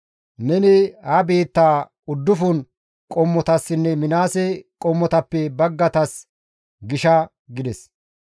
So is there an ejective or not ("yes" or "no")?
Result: yes